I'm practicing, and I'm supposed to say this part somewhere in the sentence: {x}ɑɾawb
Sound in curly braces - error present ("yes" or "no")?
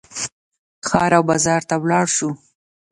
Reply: no